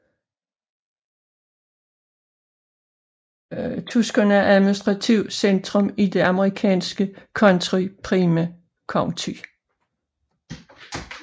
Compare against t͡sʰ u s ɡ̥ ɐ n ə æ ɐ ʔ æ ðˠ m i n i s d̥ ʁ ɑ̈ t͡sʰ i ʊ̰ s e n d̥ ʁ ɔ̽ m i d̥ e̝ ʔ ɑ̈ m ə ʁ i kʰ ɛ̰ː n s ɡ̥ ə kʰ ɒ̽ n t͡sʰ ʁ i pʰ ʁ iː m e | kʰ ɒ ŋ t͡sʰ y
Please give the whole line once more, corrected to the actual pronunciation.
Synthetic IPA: t͡sʰ u s ɡ̥ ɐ n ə æ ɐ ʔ æ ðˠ m i n i s d̥ ʁ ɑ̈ t͡sʰ i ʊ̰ s e n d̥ ʁ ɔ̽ m i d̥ e̝ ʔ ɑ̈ m ə ʁ i kʰ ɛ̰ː n s ɡ̥ ə kʰ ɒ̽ n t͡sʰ ʁ i pʰ ʁ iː m æ | kʰ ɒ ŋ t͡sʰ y

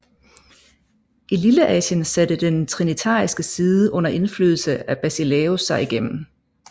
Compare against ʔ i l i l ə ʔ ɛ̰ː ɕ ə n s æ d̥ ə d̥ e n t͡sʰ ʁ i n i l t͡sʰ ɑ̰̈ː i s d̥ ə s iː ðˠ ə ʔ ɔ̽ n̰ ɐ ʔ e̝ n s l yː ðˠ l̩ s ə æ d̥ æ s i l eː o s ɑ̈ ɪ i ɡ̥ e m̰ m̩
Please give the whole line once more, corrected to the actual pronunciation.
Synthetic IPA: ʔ i l i l ə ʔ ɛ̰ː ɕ ə n s æ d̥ ə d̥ e n t͡sʰ ʁ i n i t͡sʰ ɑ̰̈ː i s ɡ̥ ə s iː ðˠ ə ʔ ɔ̽ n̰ ɐ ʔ e̝ n f l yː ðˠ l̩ s ə æ b̥ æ s i l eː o s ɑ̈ ɪ i ɡ̥ e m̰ m̩

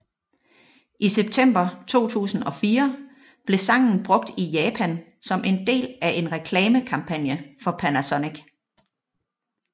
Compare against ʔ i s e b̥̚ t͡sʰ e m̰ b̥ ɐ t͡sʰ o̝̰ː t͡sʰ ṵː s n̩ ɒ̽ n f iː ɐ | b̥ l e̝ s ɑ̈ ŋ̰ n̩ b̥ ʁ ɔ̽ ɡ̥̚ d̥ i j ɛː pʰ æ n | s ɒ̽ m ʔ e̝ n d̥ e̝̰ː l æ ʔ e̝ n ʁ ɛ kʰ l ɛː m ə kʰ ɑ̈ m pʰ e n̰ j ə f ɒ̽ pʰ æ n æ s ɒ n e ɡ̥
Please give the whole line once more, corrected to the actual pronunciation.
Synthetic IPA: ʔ i s e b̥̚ t͡sʰ e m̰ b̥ ɐ t͡sʰ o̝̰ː t͡sʰ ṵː s n̩ ɒ̽ f iː ɐ | b̥ l e̝ s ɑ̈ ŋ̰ n̩ b̥ ʁ ɔ̽ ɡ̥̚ d̥ i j ɛː pʰ æ n | s ɒ̽ m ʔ e̝ n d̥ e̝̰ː l æ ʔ e̝ n ʁ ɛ kʰ l ɛː m ə kʰ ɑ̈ m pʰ æ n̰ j ə f ɒ̽ pʰ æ n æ s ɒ n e ɡ̥

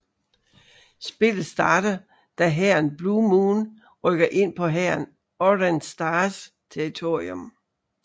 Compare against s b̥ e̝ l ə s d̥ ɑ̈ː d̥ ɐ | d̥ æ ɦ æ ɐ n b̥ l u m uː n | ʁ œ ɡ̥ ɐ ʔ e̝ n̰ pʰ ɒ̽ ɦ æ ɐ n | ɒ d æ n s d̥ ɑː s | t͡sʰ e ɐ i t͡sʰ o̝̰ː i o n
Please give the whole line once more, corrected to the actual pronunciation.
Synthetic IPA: s b̥ e̝ l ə s d̥ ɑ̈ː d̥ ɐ | d̥ æ ɦ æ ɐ n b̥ l u m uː n | ʁ œ ɡ̥ ɐ ʔ e̝ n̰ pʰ ɒ̽ ɦ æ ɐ n | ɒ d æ n s d̥ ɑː s | t͡sʰ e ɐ i t͡sʰ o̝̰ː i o m

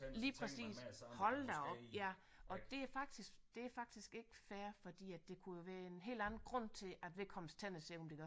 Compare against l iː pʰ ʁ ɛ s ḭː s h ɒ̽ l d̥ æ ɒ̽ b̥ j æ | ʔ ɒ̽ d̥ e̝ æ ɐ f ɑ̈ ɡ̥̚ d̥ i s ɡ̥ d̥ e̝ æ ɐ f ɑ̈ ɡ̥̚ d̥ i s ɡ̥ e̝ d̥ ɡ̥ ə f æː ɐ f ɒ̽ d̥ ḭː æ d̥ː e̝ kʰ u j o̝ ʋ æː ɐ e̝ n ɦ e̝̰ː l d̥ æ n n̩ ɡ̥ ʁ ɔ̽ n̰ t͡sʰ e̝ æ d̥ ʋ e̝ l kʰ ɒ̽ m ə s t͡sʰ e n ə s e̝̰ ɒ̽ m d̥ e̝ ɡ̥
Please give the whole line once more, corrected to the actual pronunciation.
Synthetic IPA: l iː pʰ ʁ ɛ s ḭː s h ɒ̽ l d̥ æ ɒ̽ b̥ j æ | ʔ ɒ̽ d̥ e̝ æ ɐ f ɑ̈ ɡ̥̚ d̥ i s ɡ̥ d̥ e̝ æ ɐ f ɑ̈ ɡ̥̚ d̥ i s ɡ̥ e̝ ɡ̥ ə f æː ɐ f ɒ̽ d̥ ḭː æ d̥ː e̝ kʰ u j o̝ ʋ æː ɐ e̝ n ɦ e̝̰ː l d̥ æ n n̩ ɡ̥ ʁ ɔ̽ n̰ t͡sʰ e̝ æ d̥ ʋ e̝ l kʰ ɒ̽ m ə s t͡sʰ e n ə s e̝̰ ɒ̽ m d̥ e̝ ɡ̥

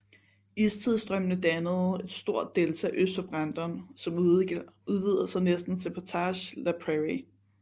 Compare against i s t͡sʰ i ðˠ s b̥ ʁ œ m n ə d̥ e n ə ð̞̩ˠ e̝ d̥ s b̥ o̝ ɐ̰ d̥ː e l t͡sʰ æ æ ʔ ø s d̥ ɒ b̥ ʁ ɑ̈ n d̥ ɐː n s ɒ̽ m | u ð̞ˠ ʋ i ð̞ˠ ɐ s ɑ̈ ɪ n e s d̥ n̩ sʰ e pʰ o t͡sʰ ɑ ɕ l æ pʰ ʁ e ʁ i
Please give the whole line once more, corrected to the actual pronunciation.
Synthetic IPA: i s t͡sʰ i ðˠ s d̥ ʁ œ m n ə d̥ æ n ə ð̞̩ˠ e̝ d̥ s d̥ o̝ ɐ̰ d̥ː e l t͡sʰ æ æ ʔ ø s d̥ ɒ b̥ ʁ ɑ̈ n d̥ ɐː n s ɒ̽ m | u ð̞ˠ ʋ i ð̞ˠ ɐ s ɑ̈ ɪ n e s d̥ n̩ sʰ e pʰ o t͡sʰ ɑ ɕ l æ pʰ ʁ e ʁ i

